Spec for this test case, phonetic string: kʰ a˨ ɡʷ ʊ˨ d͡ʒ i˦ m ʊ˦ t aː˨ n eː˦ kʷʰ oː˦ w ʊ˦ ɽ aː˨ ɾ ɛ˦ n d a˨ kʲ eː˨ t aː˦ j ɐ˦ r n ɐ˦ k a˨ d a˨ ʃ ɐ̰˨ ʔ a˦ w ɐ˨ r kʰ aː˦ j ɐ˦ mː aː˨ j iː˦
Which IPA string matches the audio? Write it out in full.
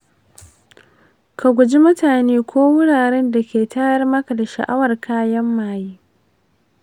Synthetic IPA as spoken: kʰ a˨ ɡʷ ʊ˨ d͡ʒ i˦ m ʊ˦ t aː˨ n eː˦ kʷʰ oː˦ w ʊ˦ ɽ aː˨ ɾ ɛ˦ n d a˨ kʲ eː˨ t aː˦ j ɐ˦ r m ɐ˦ k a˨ d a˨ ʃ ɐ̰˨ ʔ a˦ w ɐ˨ r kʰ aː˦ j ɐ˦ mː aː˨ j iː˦